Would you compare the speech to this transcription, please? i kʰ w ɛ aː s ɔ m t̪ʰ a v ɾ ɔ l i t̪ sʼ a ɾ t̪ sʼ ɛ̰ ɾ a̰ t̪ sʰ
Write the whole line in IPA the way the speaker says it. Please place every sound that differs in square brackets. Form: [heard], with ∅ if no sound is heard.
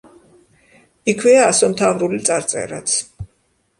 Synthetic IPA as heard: i kʰ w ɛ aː s ɔ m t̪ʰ a v ɾ [u] l i t̪ sʼ a ɾ t̪ sʼ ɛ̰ ɾ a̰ t̪ sʰ